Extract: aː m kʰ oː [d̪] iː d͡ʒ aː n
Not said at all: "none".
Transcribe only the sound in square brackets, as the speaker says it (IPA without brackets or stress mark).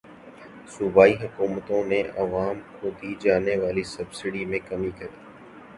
d̪